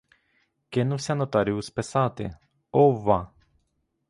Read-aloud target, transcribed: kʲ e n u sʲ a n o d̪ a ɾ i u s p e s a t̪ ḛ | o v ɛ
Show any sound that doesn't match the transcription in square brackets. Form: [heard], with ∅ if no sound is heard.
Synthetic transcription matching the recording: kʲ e n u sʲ a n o [t̪] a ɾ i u s p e s a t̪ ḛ | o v [a]